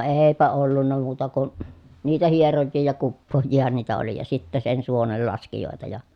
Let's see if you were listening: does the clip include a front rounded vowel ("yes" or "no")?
no